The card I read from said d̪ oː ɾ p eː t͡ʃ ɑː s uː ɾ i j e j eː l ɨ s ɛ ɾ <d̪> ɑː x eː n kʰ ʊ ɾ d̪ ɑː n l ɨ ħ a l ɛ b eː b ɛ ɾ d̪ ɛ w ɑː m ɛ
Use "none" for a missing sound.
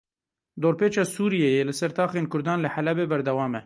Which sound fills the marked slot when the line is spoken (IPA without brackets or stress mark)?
t̪